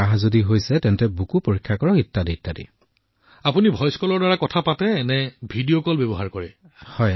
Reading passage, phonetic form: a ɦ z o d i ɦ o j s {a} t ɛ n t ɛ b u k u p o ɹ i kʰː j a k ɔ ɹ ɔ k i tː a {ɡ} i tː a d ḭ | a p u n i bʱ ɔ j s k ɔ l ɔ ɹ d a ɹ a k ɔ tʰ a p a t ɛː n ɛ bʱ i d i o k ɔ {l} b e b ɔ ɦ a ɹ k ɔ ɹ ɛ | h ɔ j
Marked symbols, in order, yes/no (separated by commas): no, no, yes